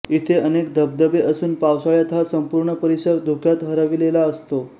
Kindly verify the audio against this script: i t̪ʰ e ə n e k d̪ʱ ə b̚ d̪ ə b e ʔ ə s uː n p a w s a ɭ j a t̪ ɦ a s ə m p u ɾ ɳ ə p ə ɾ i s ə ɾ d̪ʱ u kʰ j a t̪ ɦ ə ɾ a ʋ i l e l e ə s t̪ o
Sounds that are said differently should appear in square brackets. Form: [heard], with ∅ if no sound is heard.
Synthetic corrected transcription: i t̪ʰ e ə n e k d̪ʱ ə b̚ d̪ ə b e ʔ ə s uː n p a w s a ɭ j a t̪ ɦ a s ə m p u ɾ ɳ ə p ə ɾ i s ə ɾ d̪ʱ u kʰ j a t̪ ɦ ə ɾ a ʋ i l e l [a] ə s t̪ o